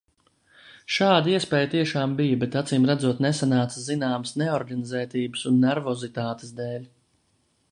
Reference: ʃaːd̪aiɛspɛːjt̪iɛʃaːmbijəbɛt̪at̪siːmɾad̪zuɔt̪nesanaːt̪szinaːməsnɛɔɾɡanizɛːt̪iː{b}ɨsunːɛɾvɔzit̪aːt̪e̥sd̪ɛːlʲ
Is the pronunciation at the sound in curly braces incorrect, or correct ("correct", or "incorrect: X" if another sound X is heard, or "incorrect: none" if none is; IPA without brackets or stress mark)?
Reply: correct